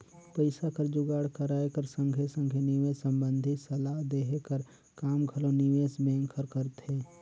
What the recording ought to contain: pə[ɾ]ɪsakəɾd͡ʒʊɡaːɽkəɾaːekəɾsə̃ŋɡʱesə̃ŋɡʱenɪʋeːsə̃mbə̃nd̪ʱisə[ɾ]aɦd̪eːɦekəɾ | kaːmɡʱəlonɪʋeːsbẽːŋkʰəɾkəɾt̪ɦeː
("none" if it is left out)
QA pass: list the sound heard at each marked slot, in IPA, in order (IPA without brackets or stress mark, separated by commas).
none, l